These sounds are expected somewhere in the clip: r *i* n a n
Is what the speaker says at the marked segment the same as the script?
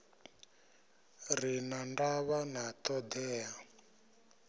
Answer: yes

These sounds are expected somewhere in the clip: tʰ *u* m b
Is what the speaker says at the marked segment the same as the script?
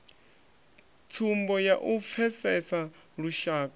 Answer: yes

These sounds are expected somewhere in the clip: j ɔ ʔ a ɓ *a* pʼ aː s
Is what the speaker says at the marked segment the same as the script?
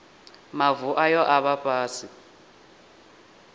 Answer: yes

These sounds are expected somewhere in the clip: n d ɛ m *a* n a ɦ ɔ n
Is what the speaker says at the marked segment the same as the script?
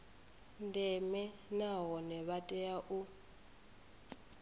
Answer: no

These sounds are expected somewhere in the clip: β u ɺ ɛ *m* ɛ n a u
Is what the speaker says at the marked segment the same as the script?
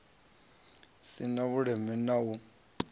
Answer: yes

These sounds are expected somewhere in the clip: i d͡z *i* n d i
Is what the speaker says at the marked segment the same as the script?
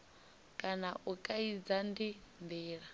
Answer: no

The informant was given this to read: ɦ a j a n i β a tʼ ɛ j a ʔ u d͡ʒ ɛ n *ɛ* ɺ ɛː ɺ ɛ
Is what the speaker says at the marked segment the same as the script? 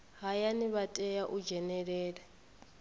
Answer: yes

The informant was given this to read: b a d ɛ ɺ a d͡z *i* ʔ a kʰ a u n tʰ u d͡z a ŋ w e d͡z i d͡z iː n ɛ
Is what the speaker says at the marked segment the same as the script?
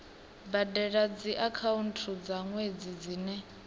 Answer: yes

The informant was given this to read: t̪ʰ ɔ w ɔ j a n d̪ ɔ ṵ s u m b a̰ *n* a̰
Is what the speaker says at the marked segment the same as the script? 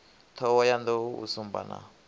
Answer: yes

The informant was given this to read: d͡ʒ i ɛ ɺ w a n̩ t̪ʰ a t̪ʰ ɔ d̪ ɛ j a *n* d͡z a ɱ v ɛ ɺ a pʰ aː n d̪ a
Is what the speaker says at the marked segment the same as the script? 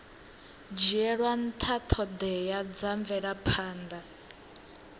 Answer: no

